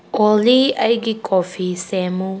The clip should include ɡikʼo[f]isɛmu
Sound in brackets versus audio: correct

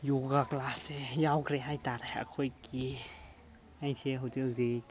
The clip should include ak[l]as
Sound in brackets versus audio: correct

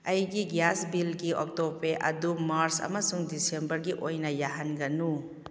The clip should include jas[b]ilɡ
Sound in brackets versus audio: correct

